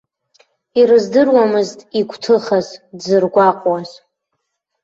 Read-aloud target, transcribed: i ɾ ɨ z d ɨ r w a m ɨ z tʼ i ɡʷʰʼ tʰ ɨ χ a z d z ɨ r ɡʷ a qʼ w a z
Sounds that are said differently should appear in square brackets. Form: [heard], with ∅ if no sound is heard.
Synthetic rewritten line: i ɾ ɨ z d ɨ r w a m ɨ z tʼ i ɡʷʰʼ tʰ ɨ χ a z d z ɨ r ɡʷ a qʼ w a z